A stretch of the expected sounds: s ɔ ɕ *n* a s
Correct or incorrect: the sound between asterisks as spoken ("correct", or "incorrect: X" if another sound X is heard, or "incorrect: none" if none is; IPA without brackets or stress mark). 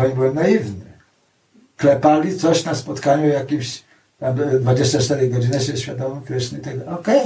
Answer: correct